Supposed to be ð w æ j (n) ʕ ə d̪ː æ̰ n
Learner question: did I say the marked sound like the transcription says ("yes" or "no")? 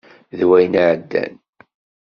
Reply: yes